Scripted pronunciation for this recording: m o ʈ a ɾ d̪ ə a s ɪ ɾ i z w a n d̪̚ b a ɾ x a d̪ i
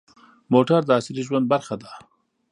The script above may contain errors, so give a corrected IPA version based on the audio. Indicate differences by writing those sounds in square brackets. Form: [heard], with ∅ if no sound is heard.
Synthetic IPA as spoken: m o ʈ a ɾ d̪ ə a s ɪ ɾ i [ʒ] w a n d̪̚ b a ɾ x a d̪ [a]

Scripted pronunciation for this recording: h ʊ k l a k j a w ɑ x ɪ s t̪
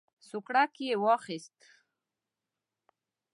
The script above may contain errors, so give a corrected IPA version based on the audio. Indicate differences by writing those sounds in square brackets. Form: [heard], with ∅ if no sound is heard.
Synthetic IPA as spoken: [s] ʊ k [ɽ] a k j [e] w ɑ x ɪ s t̪

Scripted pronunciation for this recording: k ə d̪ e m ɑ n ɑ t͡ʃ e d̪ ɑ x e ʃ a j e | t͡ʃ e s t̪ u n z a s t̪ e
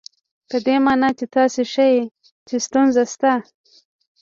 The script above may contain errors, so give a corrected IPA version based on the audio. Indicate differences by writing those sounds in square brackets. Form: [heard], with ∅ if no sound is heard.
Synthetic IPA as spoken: [p] ə d̪ e m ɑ n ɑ t͡ʃ e [t̪] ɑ [s] e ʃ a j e | t͡ʃ e s t̪ u n z a s t̪ [a]

